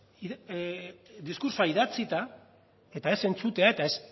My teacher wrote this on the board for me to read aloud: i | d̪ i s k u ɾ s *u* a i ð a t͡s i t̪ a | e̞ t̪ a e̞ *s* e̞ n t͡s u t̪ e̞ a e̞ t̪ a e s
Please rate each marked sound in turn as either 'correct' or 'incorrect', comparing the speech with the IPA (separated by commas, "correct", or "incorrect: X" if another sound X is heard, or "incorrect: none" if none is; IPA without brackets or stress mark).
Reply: incorrect: o, correct